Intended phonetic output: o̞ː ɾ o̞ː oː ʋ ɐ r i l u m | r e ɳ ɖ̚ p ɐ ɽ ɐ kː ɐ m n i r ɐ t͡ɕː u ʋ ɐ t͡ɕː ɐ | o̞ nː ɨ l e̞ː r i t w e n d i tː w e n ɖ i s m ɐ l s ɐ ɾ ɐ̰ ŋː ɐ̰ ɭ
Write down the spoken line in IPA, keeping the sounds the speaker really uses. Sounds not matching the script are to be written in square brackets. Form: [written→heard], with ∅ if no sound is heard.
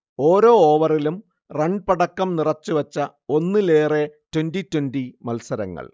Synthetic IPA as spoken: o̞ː ɾ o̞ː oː ʋ ɐ r i l u m | r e ɳ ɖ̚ p ɐ ɽ ɐ kː ɐ m n i r ɐ t͡ɕː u ʋ ɐ t͡ɕː ɐ | o̞ nː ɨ l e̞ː r [i→e] t w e n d i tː w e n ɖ i [s→∅] m ɐ l s ɐ ɾ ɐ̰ ŋː ɐ̰ ɭ